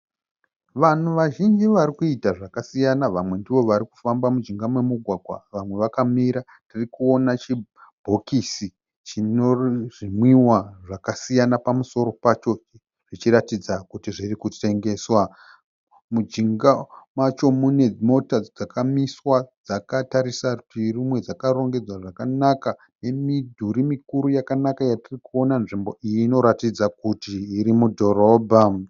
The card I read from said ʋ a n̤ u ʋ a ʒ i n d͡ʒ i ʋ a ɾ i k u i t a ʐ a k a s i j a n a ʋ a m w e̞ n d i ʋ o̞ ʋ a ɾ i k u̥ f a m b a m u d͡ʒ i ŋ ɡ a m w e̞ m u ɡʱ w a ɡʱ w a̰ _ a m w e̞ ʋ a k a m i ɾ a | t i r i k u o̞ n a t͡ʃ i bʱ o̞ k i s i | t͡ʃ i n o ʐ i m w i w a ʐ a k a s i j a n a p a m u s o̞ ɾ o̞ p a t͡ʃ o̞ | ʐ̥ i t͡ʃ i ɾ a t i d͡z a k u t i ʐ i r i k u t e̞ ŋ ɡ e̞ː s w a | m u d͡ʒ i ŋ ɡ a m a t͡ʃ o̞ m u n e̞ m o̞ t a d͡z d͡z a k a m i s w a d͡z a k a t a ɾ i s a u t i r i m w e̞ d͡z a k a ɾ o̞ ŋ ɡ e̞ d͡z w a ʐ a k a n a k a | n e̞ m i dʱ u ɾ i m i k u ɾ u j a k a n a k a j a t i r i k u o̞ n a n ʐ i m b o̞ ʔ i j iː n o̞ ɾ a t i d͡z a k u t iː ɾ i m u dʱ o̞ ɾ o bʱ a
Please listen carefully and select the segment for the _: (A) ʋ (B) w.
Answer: A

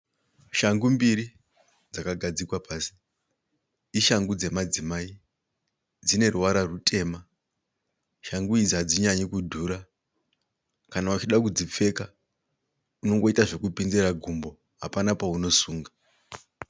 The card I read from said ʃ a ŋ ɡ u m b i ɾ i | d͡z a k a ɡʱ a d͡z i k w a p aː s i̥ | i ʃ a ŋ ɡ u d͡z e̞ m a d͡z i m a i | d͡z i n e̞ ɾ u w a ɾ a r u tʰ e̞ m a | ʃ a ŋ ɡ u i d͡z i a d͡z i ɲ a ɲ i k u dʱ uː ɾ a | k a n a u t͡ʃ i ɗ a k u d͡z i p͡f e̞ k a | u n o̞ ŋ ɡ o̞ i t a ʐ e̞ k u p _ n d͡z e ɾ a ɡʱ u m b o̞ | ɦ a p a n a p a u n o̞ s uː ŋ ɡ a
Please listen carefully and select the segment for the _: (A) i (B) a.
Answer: A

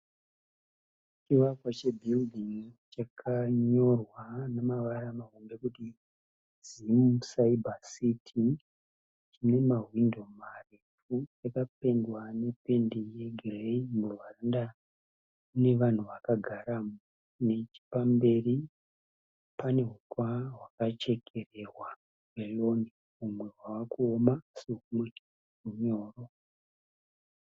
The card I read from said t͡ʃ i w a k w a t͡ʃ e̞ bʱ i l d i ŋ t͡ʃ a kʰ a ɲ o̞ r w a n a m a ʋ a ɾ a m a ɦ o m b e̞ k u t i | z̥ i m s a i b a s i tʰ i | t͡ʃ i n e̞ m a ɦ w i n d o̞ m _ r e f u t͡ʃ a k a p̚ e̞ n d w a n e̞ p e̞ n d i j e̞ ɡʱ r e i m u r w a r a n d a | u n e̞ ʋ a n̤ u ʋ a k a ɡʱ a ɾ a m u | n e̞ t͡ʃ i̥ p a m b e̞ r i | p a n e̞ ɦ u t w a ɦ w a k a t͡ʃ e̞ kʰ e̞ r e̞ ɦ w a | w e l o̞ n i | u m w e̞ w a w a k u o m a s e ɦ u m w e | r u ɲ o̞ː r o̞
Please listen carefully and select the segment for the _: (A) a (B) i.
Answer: A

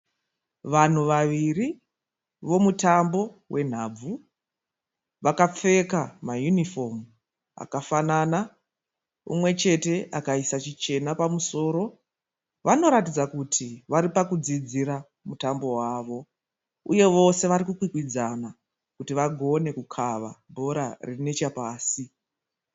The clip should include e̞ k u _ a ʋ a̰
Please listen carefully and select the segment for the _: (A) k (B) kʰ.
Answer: B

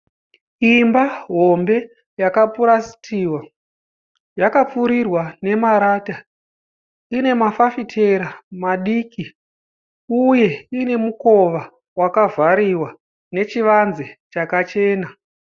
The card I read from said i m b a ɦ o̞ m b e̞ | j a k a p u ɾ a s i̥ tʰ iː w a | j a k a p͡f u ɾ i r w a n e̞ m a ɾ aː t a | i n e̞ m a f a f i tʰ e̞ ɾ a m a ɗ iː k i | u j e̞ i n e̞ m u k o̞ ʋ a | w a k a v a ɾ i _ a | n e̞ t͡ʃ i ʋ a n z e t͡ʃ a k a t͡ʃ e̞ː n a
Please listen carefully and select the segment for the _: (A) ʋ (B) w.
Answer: B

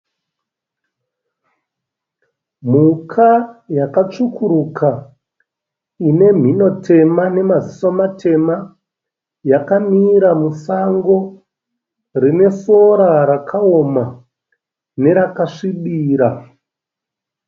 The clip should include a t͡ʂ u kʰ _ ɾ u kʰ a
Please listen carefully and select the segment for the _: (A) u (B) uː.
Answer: A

